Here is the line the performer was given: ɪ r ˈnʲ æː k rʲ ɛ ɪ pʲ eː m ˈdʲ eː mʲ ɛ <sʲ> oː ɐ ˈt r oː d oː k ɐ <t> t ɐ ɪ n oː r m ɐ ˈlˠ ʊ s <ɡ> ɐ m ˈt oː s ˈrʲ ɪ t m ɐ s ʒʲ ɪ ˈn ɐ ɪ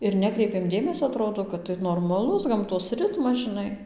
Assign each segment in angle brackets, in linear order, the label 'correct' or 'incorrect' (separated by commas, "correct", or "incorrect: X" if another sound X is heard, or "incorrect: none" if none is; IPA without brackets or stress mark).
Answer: correct, correct, correct